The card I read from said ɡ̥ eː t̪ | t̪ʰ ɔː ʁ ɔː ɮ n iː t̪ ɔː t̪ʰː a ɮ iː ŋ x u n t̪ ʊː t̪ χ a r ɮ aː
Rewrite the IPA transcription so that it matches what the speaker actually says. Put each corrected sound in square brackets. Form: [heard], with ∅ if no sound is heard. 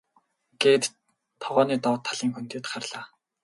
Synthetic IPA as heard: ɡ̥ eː t̪ | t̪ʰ [ɔ] ʁ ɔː [∅] n iː t̪ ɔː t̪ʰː a ɮ iː ŋ x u n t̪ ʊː t̪ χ a r ɮ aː